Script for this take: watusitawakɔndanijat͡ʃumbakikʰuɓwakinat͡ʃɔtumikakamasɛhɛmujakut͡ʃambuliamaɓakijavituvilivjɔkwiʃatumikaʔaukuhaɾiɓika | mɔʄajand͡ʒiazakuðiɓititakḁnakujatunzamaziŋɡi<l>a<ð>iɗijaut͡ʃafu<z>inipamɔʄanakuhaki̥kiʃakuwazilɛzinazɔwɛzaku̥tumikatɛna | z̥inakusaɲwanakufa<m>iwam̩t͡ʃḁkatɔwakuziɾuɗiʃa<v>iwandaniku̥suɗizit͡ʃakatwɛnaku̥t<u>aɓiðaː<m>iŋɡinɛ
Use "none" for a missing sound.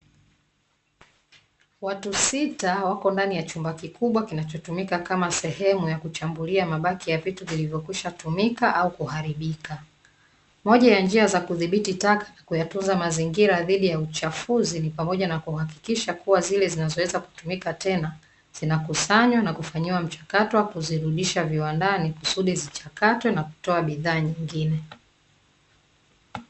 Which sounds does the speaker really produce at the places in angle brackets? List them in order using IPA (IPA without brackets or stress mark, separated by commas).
ɾ, ð, z, ɲ, v, ɔ, ɲ